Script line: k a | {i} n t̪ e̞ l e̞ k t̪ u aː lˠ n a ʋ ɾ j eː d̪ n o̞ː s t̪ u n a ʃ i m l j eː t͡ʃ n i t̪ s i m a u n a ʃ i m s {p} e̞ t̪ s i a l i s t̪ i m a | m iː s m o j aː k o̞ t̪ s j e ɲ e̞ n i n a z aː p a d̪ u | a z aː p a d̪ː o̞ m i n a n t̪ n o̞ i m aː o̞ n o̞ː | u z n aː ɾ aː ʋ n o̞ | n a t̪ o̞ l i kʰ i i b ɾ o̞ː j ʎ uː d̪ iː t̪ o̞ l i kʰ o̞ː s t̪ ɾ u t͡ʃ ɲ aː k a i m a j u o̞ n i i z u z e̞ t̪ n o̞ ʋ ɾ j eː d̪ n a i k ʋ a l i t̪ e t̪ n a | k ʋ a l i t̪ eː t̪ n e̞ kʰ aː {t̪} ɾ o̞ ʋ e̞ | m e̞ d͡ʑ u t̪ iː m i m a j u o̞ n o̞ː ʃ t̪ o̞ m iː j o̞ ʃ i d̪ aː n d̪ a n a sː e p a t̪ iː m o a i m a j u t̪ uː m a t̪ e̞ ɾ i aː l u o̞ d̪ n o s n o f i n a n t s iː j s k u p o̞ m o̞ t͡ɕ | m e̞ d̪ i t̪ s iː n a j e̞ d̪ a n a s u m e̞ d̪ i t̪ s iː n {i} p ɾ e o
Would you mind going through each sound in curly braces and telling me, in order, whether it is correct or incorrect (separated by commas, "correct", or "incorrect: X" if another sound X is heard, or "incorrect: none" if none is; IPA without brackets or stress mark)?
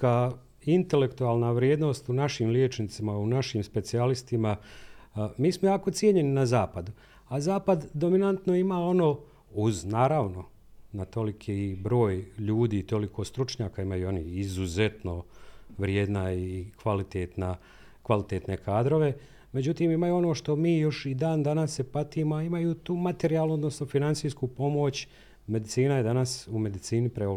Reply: correct, correct, incorrect: d̪, correct